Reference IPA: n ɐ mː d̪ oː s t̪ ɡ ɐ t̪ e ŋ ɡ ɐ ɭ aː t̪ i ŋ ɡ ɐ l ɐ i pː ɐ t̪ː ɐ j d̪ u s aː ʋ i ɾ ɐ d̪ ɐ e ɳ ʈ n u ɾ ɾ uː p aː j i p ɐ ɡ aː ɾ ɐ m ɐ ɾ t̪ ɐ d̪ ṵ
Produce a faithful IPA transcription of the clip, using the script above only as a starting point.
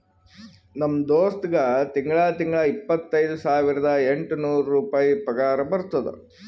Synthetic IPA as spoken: n ɐ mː d̪ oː s t̪ ɡ ɐ t̪ i ŋ ɡ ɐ ɭ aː t̪ i ŋ ɡ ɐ ɭ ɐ i pː ɐ t̪ː ɐ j d̪ u s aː ʋ i ɾ ɐ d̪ ɐ e ɳ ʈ n uː ɾ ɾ uː p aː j i p ɐ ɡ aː ɾ ɐ b ɐ ɾ t̪ ɐ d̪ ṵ

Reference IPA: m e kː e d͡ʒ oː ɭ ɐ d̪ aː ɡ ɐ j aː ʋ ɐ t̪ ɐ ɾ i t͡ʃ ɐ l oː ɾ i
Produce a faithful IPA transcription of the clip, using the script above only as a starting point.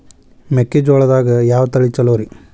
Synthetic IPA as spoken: m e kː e d͡ʒ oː ɭ ɐ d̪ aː ɡ ɐ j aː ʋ ɐ t̪ ɐ ɭ i t͡ʃ ɐ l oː ɾ i

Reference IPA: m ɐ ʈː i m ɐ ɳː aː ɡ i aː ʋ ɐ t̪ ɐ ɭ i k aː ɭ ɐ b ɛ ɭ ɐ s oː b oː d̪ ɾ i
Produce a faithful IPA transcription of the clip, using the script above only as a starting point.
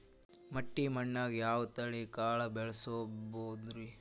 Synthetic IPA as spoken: m ɐ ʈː i m ɐ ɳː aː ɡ j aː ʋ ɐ t̪ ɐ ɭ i k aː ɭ ɐ b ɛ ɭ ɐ s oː b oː d̪ ɾ i

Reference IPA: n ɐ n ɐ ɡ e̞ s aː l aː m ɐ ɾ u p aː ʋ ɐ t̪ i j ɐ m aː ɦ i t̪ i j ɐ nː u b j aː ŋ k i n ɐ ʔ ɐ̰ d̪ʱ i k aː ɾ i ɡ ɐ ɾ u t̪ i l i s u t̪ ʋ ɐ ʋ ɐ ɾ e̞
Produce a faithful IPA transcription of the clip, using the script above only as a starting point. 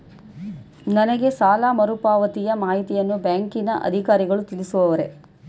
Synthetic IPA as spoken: n ɐ n ɐ ɡ e̞ s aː l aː m ɐ ɾ u p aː ʋ ɐ t̪ i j ɐ m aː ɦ i t̪ i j ɐ nː u b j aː ŋ k i n ɐ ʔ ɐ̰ d̪ʱ i k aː ɾ i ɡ ɐ ɭ u t̪ i l i s u ʋ ɐ ʋ ɐ ɾ e̞

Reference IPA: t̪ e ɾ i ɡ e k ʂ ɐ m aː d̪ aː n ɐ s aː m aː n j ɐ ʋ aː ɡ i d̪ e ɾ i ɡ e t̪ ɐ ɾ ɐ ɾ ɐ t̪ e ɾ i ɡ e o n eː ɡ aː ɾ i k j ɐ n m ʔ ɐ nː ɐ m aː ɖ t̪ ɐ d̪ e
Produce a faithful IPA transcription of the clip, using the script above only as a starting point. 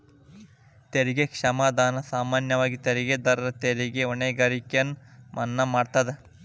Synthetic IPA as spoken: t̪ e ɾ i ɡ e k ʂ ɐ m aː d̪ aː n ɐ s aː m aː n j ɐ ʋ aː ɡ i t̪ e ɾ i ɡ e d̪ ɐ ɾ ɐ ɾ ɐ t̪ e ɾ i ɡ e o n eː ɡ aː ɾ i k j ɐ n m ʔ ɐ nː ɐ m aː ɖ t̪ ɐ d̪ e

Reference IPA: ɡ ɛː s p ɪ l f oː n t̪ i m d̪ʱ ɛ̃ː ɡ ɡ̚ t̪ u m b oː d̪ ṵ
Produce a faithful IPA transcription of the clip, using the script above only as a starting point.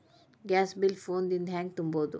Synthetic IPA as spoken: ɡ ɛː s b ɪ l f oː n d̪ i n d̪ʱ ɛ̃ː ŋ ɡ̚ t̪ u m b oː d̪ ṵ

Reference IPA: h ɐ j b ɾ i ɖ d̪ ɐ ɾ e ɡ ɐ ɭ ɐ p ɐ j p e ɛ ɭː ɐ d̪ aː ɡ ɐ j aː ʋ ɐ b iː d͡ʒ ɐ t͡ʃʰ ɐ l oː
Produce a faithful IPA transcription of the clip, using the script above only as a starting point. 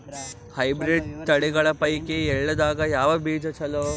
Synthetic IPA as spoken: h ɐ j b ɾ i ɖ t̪ ɐ ɽ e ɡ ɐ ɭ ɐ p ɐ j k e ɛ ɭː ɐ d̪ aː ɡ ɐ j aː ʋ ɐ b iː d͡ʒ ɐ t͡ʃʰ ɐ l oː

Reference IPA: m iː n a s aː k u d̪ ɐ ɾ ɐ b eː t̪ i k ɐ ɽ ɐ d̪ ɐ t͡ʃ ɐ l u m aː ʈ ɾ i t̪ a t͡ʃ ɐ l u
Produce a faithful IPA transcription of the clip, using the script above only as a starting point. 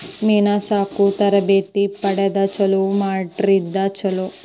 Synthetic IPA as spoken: m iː n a s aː k u t̪ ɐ ɾ ɐ b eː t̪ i p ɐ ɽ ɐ d̪ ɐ t͡ʃ ɐ l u m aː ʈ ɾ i d̪ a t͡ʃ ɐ l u

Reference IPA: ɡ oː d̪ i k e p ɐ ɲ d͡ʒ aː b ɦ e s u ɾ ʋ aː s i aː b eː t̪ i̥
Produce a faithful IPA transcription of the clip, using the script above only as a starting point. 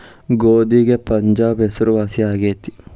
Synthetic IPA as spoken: ɡ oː d̪ i ɡ e p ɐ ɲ d͡ʒ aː b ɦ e s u ɾ ʋ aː s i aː ɡ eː t̪ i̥

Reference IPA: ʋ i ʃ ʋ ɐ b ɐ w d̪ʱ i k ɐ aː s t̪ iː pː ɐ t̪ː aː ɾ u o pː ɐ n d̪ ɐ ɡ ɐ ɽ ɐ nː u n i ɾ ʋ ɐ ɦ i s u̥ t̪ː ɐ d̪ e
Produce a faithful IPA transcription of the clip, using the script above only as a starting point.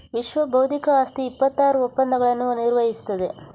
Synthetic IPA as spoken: ʋ i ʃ ʋ ɐ b ɐ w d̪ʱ i k ɐ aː s t̪ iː pː ɐ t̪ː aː ɾ u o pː ɐ n d̪ ɐ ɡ ɐ ɭ ɐ nː u n i ɾ ʋ ɐ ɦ i s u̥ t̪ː ɐ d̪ e

